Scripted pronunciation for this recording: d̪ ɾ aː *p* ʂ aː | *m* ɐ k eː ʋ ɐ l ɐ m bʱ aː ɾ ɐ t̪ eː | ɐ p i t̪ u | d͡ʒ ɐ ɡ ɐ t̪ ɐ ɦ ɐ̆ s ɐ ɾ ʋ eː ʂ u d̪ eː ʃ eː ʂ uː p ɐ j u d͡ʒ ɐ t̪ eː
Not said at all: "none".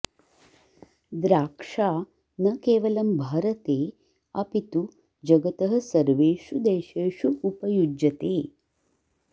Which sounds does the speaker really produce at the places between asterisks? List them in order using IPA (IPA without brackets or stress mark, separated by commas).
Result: k, n